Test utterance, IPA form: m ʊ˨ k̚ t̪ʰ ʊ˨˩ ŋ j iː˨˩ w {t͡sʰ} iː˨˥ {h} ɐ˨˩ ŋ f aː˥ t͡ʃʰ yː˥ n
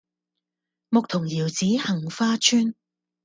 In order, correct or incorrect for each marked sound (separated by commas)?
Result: incorrect, correct